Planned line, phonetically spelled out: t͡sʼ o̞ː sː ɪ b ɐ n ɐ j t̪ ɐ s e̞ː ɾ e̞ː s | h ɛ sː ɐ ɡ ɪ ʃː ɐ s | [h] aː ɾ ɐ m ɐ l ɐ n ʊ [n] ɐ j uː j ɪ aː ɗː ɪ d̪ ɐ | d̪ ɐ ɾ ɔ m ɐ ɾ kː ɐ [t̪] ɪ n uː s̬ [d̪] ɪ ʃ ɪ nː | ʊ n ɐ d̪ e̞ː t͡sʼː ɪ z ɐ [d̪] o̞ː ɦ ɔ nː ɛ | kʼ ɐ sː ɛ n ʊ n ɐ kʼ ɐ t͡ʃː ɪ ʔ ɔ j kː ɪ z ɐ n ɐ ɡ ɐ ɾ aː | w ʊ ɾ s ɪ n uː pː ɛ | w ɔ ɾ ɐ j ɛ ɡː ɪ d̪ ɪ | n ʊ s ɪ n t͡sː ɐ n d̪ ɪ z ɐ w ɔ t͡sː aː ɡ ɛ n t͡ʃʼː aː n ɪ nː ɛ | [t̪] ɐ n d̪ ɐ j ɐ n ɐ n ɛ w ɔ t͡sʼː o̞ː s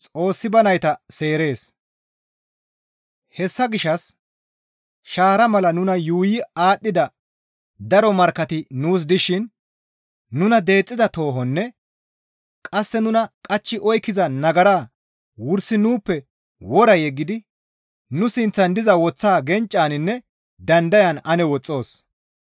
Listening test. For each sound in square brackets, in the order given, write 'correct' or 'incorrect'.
incorrect, correct, correct, correct, incorrect, incorrect

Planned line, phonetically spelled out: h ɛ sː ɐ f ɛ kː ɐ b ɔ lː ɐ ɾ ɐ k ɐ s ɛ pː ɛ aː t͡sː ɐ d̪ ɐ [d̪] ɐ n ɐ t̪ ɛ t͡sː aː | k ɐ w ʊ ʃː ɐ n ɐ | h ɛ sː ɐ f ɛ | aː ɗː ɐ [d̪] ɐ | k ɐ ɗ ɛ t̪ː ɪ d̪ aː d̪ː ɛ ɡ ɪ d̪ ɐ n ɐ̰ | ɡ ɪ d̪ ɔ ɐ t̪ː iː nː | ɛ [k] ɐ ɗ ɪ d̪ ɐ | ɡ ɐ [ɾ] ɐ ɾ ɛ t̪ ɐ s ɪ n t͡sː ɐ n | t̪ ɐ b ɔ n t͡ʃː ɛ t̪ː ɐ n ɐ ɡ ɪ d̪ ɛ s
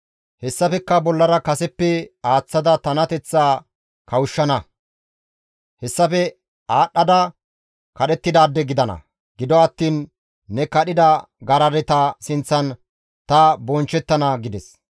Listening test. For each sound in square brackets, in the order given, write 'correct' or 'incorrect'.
incorrect, correct, correct, correct

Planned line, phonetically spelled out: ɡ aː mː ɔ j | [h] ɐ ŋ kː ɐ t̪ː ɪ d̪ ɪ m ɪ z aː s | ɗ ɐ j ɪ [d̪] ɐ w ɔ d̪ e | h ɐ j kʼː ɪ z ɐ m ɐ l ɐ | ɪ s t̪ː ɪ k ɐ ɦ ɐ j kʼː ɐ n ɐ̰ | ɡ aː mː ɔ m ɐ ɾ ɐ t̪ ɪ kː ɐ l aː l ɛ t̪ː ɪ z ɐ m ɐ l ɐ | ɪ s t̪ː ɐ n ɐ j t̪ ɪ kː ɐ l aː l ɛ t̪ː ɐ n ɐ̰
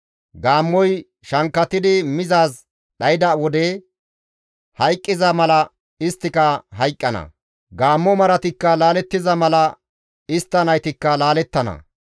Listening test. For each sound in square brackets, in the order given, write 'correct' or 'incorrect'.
incorrect, correct

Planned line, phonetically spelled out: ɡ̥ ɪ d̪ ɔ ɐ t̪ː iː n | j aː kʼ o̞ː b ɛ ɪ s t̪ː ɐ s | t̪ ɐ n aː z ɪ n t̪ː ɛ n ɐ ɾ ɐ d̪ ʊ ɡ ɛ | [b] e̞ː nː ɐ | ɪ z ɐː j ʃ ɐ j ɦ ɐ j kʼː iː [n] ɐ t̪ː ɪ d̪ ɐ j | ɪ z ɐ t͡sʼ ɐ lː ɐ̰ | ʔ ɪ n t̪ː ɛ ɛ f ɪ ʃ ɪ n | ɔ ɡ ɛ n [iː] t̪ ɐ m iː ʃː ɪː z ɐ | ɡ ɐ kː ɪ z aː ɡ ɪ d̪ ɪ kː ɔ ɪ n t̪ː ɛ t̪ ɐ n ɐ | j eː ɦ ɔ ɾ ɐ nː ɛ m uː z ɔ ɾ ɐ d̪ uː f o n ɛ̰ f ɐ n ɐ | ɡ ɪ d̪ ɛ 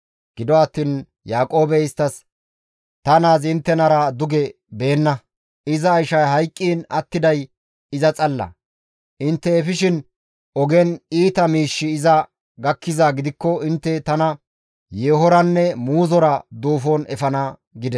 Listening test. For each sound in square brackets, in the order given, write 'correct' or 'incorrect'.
correct, correct, correct

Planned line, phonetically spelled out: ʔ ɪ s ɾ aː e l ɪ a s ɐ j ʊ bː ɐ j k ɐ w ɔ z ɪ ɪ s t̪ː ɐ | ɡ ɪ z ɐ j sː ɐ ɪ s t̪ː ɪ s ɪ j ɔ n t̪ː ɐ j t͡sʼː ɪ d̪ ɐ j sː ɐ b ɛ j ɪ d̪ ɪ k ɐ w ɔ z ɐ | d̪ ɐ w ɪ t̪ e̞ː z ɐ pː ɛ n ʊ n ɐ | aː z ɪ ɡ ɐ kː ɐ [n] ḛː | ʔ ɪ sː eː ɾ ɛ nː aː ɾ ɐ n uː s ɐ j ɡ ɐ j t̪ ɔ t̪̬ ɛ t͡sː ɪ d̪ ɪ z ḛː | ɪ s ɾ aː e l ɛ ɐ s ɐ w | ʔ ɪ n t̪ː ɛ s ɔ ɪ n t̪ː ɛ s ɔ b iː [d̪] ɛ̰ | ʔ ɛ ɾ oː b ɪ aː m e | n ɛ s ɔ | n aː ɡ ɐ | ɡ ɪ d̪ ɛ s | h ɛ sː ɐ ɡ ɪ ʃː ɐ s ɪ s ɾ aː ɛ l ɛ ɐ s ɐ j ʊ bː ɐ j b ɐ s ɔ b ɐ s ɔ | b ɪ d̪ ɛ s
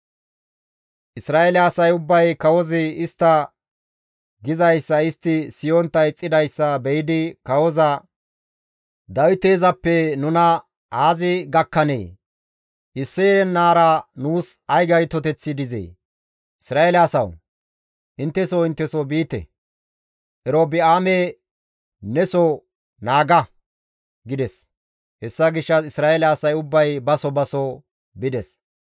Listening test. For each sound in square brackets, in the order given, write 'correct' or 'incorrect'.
correct, incorrect

